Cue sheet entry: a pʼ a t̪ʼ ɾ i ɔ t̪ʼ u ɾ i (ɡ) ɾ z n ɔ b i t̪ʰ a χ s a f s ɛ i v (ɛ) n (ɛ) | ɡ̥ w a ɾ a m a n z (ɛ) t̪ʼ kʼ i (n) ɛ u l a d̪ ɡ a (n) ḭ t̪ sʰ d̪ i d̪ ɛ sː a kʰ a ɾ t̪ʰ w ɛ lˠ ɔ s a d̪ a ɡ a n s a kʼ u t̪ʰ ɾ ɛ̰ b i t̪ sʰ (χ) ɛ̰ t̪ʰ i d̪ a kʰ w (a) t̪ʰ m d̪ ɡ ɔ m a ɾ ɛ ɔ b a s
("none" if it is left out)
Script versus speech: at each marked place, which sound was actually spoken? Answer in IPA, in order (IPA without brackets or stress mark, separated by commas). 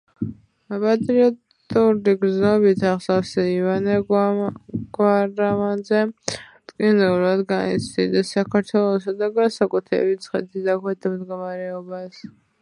ɡ, a, ɛ, ɛ, n, n, χ, ɛ